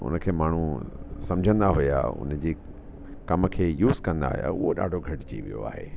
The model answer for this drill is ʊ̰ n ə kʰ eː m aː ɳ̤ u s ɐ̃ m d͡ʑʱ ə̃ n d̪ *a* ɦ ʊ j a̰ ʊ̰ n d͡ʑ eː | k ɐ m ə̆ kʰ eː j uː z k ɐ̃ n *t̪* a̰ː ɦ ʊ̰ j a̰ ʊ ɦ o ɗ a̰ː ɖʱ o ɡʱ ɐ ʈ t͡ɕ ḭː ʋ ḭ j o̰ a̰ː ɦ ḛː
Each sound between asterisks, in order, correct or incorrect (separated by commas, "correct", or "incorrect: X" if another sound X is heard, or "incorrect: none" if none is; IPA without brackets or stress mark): correct, incorrect: d̪